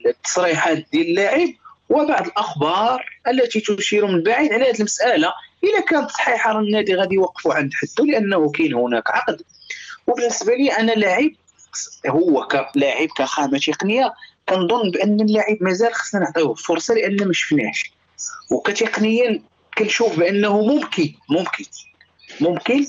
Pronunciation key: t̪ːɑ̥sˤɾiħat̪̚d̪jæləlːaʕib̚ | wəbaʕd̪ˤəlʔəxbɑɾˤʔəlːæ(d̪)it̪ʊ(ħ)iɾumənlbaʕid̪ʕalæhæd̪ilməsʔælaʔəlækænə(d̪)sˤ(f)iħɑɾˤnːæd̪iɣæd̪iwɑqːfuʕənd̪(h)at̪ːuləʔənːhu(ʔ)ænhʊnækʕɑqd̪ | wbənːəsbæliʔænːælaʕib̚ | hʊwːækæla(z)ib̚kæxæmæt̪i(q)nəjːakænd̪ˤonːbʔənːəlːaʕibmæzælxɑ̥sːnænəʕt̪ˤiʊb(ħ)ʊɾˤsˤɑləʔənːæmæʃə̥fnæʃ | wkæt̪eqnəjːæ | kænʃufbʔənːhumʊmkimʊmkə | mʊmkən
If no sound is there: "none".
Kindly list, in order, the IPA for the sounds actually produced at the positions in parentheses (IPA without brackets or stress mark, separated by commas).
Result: t̪, ʃ, t̪, ħ, ħ, k, ʕ, q, f